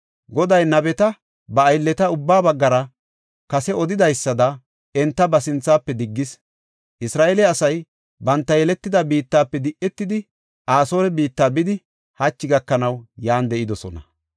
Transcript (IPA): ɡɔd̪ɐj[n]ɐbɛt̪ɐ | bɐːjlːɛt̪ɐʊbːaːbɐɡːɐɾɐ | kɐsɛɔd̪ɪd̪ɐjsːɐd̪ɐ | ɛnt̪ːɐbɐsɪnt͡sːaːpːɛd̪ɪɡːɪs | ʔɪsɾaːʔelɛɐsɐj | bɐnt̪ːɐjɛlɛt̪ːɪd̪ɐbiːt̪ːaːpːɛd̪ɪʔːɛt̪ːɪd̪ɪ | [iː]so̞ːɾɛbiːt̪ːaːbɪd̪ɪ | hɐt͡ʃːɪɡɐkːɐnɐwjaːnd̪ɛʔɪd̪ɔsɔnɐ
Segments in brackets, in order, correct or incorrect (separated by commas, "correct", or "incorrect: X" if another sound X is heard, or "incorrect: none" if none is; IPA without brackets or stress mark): correct, incorrect: aː